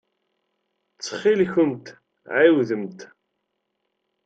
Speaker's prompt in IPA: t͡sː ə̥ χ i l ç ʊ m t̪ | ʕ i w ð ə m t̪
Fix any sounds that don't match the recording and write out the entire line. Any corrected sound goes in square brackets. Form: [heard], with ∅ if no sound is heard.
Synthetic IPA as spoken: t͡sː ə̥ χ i l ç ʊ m t̪ | ʕ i w ð ə m t̪